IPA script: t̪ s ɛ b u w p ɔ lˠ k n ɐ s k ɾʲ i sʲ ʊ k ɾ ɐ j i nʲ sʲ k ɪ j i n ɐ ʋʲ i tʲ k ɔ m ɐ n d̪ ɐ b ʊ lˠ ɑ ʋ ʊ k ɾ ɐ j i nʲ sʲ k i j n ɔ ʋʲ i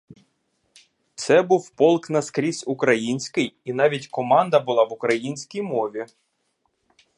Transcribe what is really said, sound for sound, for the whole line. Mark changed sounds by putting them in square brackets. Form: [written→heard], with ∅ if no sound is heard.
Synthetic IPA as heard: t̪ s ɛ b u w p ɔ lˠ k n ɐ s k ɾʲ i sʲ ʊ k ɾ ɐ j i nʲ sʲ k ɪ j i n [ɐ→ɑ] ʋʲ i tʲ k ɔ m [ɐ→ɑ] n d̪ ɐ b ʊ lˠ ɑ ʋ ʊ k ɾ ɐ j i nʲ sʲ k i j [n→m] ɔ ʋʲ i